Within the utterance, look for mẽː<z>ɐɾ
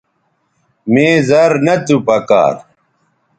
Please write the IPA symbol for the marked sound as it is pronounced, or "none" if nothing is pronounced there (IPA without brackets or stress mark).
z